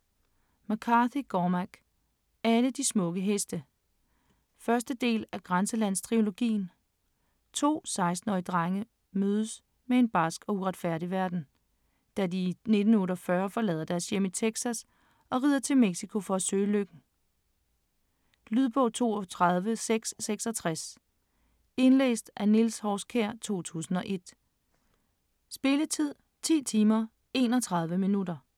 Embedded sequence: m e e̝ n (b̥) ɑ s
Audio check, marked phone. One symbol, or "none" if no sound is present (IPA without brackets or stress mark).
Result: b̥